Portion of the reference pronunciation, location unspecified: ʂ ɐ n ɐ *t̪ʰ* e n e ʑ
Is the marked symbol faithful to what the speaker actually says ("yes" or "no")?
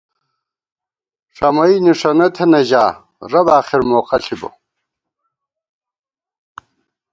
yes